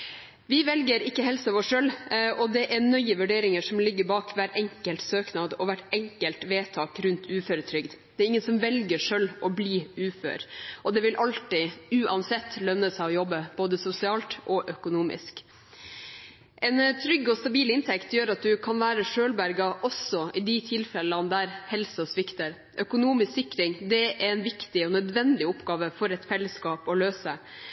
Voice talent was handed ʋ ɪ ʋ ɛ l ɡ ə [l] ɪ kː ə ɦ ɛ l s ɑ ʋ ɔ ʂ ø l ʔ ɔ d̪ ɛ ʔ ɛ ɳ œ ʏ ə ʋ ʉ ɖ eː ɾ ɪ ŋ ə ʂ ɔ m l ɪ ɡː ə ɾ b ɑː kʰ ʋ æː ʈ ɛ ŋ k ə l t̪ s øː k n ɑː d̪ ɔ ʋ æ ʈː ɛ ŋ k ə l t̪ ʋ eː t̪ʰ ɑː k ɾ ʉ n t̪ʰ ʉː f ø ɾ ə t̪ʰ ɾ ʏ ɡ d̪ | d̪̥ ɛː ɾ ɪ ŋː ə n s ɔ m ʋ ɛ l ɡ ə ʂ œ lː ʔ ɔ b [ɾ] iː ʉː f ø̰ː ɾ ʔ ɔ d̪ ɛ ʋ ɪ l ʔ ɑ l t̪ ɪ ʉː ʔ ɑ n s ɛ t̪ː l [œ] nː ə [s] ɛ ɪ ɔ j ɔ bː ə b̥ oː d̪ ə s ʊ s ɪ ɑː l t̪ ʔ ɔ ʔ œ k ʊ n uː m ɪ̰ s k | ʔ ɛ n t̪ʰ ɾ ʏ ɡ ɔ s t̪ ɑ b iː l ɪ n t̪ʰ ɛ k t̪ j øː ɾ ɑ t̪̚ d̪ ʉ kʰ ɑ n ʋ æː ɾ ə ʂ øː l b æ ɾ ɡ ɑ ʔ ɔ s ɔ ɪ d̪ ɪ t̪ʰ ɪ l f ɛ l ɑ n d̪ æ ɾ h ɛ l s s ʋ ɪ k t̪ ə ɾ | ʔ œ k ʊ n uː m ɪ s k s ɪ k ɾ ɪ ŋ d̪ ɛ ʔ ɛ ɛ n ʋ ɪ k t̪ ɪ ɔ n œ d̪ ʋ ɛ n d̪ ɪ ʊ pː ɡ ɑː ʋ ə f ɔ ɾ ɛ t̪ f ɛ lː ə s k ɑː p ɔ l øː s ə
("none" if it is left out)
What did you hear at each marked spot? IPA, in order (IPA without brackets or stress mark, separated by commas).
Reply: ɾ, l, œ, s